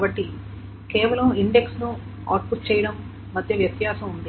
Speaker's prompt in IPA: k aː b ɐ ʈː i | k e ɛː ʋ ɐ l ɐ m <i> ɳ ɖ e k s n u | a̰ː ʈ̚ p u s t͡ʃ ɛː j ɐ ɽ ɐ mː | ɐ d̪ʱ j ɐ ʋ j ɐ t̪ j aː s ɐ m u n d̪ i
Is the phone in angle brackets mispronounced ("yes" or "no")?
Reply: no